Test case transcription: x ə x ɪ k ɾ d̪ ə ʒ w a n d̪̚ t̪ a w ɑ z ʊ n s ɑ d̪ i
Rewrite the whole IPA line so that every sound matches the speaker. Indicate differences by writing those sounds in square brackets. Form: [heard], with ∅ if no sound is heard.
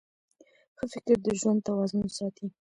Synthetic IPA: x ə [f] ɪ k ɾ d̪ ə ʒ w a n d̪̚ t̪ a w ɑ z ʊ n s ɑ [t̪] i